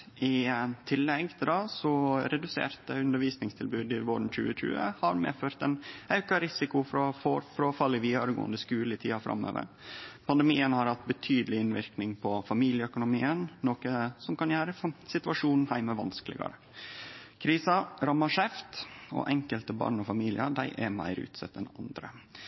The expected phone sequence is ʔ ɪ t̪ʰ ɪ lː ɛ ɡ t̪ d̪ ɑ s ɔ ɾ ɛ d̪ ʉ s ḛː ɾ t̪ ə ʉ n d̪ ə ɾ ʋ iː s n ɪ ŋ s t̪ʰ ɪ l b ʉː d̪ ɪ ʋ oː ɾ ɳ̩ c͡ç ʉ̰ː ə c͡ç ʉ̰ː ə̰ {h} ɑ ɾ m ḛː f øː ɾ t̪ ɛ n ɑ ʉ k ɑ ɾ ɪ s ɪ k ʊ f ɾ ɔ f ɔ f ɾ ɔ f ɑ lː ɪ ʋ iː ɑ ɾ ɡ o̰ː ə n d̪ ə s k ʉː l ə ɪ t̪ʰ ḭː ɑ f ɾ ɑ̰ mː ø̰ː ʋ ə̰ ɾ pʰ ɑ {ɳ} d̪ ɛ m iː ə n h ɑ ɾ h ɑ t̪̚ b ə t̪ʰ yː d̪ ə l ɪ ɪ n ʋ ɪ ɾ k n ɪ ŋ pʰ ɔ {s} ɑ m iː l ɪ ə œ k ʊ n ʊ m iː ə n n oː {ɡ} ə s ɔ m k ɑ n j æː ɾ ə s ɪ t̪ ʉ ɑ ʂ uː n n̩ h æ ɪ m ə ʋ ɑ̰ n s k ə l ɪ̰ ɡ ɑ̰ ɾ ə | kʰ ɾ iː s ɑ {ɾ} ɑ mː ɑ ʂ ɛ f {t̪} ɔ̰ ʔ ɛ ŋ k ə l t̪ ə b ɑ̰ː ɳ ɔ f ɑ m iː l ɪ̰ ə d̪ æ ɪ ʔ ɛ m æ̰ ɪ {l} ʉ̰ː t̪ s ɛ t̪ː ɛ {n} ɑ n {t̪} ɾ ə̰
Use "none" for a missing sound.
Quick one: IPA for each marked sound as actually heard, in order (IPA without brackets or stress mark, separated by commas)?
h, n, f, k, ɾ, t̪, ɾ, n, d̪